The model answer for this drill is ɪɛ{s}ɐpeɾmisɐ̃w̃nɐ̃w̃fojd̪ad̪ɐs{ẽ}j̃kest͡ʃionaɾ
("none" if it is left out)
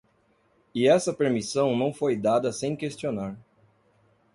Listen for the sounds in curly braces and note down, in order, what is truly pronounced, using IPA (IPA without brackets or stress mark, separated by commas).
s, ẽ